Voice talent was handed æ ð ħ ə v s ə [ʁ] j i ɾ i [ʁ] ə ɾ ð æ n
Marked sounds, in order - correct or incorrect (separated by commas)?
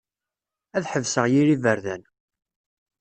correct, incorrect